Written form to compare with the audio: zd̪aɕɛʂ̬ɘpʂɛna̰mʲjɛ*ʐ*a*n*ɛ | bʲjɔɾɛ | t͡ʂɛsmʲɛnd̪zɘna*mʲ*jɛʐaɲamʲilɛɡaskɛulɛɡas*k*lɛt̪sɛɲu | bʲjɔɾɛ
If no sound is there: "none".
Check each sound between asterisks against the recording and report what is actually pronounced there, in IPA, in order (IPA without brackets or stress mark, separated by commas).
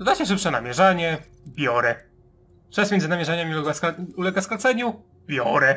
ʐ, ɲ, mʲ, k